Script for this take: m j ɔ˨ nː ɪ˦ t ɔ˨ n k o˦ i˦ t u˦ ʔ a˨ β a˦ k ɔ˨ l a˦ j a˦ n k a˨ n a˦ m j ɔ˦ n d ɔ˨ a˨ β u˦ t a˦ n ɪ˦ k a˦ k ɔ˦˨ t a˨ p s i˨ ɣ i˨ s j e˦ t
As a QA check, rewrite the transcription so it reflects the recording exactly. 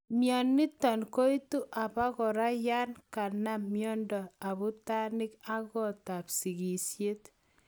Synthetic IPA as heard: m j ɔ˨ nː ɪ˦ t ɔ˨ n k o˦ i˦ t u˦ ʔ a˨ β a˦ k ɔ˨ ɾ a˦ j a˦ n k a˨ n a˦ m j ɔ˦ n d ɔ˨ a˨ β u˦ t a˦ n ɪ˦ k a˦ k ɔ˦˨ t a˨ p s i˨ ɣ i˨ s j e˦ t